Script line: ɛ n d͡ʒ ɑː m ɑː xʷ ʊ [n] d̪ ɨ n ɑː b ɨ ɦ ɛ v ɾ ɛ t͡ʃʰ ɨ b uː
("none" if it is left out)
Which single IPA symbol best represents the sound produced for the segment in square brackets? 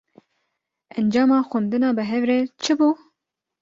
n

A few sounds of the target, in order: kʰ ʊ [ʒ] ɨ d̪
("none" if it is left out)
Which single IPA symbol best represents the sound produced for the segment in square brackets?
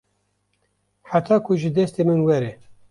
ʒ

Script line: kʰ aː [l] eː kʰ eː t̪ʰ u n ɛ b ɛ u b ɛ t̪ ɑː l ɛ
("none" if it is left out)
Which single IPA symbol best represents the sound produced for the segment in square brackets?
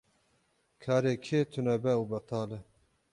ɾ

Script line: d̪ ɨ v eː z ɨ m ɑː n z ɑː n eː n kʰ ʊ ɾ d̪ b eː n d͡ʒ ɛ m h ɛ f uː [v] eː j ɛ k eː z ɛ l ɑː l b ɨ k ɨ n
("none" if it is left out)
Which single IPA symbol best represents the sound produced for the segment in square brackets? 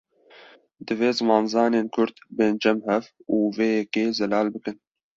v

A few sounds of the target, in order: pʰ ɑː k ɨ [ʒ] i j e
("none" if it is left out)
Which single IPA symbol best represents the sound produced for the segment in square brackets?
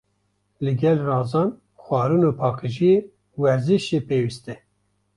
ʒ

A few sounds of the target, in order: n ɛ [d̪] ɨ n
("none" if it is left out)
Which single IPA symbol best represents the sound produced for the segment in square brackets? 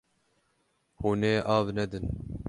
d̪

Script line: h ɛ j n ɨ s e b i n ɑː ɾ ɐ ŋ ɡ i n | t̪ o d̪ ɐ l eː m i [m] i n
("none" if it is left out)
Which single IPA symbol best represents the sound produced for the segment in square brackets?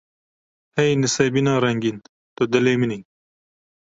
n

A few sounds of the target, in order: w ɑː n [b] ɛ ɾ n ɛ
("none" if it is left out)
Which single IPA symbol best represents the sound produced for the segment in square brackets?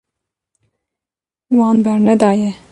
b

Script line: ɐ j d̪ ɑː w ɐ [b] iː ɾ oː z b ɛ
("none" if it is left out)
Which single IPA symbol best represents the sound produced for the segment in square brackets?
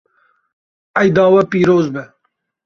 p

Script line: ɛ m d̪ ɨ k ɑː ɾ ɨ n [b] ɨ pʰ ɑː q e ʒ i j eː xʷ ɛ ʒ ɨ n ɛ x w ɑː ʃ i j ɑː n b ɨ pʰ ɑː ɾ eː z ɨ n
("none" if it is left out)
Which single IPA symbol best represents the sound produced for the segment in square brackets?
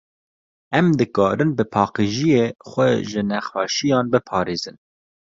b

